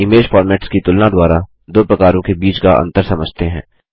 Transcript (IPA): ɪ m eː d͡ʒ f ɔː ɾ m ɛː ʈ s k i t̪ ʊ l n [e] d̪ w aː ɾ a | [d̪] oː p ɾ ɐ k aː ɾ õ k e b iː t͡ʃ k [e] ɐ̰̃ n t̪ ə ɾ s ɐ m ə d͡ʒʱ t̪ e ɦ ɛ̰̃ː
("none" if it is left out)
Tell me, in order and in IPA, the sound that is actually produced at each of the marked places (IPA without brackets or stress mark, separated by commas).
a, d̪, a